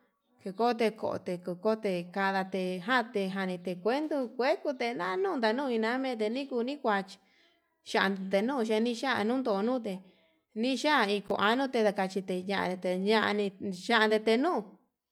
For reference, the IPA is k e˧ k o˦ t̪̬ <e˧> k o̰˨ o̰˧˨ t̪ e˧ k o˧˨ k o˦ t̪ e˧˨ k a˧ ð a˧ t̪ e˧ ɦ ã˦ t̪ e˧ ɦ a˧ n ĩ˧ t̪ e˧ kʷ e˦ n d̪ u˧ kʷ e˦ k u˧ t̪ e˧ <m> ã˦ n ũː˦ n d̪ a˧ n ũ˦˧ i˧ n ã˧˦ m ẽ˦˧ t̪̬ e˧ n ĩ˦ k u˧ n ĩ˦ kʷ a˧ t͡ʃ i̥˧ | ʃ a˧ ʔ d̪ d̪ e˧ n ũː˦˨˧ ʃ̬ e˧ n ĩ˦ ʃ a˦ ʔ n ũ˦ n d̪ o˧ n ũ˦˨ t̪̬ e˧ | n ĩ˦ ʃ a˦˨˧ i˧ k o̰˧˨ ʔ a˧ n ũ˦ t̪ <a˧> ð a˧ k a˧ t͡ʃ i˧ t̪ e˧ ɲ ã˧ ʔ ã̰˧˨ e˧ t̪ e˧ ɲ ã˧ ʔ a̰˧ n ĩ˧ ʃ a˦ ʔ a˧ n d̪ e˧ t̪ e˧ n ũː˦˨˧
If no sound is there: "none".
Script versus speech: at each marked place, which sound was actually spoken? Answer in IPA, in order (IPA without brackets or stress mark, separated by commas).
e˧, n, e˧